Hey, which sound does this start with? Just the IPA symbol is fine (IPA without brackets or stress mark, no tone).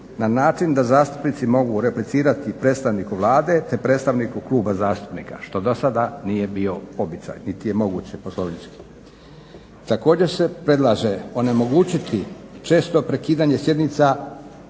n